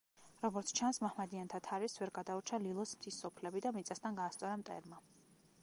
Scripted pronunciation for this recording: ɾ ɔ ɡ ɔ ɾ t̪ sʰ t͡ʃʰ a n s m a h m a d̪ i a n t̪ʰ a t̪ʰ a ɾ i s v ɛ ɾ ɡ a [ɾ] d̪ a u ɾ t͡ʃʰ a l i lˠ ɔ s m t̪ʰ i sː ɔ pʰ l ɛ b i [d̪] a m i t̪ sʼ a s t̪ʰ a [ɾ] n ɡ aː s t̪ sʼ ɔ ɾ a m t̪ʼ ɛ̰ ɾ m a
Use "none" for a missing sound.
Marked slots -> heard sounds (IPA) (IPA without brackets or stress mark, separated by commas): none, d̪, none